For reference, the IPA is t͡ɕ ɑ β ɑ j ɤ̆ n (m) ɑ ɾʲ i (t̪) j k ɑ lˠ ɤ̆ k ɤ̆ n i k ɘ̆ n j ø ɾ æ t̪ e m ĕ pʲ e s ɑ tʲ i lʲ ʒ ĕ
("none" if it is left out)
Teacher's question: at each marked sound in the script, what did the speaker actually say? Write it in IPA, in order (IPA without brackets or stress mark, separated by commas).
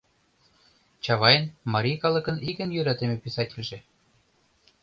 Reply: m, none